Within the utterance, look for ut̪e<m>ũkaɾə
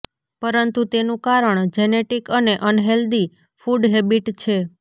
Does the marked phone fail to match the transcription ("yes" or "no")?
yes